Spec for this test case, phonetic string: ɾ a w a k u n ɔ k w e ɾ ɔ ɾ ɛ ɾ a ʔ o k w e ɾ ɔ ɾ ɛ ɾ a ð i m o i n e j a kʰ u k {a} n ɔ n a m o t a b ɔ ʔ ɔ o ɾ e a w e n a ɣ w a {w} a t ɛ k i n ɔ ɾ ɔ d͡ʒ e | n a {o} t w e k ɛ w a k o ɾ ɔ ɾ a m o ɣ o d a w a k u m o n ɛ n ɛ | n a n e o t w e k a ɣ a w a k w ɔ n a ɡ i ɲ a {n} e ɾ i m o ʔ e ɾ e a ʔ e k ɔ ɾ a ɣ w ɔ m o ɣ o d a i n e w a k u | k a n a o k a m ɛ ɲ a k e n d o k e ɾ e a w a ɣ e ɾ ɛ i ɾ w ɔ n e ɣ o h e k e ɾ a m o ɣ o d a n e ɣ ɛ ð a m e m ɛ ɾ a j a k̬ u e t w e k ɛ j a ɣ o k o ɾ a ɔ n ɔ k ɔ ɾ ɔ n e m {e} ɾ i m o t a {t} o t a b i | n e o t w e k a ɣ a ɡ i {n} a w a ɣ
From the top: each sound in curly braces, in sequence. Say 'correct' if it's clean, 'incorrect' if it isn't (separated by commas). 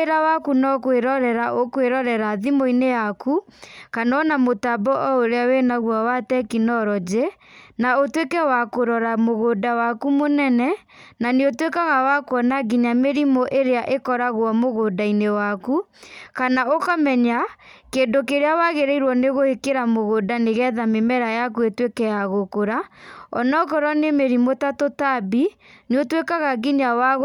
correct, correct, correct, incorrect, correct, correct, incorrect